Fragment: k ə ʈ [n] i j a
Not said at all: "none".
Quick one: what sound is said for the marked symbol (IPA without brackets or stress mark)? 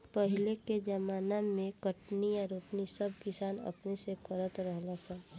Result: n